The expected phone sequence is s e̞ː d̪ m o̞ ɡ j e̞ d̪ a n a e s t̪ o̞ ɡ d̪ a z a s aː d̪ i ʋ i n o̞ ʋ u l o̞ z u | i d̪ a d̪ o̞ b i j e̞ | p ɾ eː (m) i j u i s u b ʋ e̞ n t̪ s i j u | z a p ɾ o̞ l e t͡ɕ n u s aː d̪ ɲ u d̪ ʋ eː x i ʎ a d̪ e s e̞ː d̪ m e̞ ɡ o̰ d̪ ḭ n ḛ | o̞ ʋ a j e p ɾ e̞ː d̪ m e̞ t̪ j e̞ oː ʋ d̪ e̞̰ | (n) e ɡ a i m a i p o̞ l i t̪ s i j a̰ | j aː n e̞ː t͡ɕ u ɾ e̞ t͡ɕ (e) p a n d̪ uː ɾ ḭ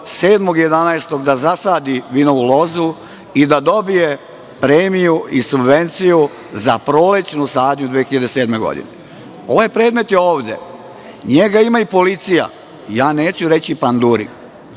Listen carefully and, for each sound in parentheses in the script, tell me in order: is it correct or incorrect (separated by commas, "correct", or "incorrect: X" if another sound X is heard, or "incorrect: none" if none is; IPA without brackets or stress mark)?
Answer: correct, incorrect: ɲ, incorrect: i